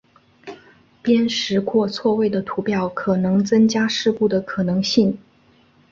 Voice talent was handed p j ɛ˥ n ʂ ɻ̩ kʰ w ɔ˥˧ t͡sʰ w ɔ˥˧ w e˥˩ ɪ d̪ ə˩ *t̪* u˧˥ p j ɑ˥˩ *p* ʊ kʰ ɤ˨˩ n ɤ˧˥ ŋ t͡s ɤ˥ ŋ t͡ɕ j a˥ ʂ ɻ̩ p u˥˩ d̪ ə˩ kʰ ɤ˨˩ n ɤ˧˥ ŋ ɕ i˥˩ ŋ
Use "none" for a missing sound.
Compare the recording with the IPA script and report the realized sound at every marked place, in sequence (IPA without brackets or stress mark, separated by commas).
t̪ʰ, none